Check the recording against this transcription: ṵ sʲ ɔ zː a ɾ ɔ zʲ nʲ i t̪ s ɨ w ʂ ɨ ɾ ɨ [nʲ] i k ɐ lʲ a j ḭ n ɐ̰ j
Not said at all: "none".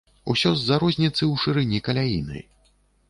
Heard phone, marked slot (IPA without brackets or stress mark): nʲ